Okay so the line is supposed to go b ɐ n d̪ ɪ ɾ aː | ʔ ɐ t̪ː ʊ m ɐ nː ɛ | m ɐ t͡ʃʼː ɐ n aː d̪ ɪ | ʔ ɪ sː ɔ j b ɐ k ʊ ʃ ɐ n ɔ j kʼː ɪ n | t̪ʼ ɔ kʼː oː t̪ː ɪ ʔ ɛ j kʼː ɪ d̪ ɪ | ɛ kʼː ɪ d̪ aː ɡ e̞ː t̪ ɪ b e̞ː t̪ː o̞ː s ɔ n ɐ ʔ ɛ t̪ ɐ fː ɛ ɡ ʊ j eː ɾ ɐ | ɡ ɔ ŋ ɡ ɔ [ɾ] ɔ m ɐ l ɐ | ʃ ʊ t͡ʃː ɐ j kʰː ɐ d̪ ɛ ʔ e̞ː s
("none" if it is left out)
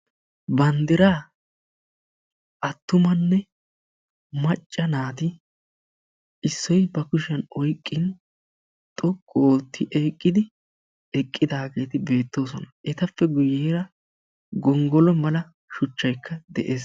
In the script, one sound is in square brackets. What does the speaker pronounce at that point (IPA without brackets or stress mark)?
l